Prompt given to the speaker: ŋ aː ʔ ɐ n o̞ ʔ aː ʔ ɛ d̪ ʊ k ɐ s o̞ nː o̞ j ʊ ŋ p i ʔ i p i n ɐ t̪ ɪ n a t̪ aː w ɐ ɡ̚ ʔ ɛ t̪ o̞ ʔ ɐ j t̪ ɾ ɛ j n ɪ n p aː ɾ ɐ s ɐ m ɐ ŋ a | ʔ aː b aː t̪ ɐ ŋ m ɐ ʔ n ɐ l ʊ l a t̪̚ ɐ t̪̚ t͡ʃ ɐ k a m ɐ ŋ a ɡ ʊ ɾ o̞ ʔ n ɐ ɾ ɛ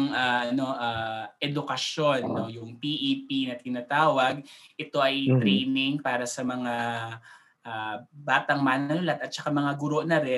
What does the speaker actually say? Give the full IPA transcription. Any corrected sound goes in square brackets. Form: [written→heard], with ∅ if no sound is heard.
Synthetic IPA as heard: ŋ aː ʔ ɐ n o̞ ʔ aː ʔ ɛ d̪ ʊ k ɐ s o̞ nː o̞ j ʊ ŋ p i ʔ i p i n ɐ t̪ ɪ n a t̪ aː w ɐ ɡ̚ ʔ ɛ t̪ o̞ ʔ ɐ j t̪ ɾ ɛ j n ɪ [n→ŋ] p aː ɾ ɐ s ɐ m ɐ ŋ a | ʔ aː b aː t̪ ɐ ŋ m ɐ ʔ n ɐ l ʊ l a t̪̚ ɐ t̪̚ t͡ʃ ɐ k a m ɐ ŋ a ɡ ʊ ɾ o̞ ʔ n ɐ ɾ ɛ